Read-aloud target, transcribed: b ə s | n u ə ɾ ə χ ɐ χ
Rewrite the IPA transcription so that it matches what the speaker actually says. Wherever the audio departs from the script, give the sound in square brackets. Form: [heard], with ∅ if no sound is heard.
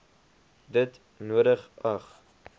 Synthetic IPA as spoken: [d] ə [t] | n u ə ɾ ə χ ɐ χ